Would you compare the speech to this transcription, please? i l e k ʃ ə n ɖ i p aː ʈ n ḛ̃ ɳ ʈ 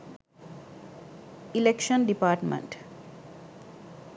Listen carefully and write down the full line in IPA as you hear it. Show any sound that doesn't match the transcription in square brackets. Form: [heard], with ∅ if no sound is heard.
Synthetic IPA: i l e k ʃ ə n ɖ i p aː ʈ [m] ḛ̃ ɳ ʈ